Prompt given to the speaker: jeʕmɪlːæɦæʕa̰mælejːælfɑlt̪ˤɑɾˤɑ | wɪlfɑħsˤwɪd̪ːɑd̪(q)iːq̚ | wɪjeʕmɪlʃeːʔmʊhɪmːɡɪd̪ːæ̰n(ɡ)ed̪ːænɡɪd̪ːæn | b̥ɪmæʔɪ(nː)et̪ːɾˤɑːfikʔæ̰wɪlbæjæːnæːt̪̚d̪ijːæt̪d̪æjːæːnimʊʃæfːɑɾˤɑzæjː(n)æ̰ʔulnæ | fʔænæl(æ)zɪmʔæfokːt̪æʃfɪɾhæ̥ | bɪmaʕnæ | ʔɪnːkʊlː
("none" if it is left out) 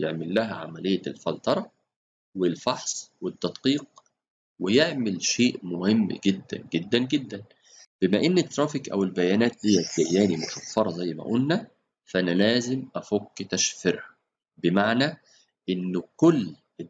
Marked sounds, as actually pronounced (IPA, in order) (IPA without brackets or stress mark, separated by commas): q, ɡ, nː, m, æː